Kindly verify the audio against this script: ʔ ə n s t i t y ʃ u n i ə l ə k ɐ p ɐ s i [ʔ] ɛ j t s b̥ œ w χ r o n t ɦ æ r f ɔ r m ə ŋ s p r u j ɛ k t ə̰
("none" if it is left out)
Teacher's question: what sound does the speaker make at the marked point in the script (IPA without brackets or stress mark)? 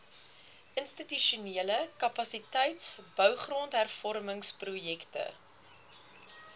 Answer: t